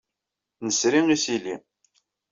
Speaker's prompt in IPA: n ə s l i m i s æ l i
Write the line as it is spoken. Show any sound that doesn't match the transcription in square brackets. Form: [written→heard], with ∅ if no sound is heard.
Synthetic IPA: n ə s [l→ɾ] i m i s [æ→i] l i